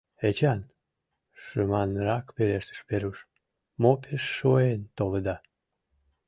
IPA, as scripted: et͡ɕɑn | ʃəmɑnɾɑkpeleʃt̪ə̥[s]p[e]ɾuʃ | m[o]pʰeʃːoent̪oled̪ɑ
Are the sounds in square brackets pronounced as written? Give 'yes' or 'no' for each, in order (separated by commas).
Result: no, yes, yes